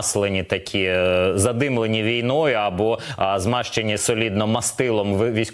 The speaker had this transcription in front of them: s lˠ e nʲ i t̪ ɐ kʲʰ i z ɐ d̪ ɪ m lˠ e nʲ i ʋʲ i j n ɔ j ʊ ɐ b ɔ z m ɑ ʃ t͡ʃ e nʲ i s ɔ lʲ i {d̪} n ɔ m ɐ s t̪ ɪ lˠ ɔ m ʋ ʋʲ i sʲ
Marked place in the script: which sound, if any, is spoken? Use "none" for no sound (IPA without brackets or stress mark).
d̪